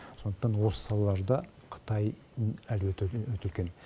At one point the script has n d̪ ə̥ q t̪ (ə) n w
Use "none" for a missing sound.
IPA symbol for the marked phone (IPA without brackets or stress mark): ɑ